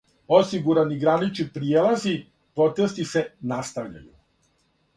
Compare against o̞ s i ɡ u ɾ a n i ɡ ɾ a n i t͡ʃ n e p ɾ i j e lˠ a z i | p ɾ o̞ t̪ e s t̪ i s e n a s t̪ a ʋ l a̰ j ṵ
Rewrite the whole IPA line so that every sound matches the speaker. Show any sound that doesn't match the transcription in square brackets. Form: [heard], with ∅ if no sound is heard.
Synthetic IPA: o̞ s i ɡ u ɾ a n i ɡ ɾ a n i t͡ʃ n [i] p ɾ i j e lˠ a z i | p ɾ o̞ t̪ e s t̪ i s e n a s t̪ a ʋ [ʎ] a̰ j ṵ